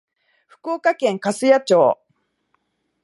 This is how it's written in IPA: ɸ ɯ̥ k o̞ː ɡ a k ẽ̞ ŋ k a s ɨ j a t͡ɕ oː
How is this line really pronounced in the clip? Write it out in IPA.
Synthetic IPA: ɸ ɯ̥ k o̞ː k a k ẽ̞ ŋ k a s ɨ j a t͡ɕ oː